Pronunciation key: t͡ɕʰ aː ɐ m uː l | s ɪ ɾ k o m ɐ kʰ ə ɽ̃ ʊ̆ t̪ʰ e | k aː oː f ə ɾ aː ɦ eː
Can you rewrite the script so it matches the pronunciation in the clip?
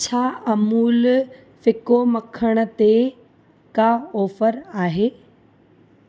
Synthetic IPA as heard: t͡ɕʰ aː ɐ m uː l | f ɪ k o m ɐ kʰ ə ɽ̃ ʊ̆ t̪ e | k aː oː f ə ɾ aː ɦ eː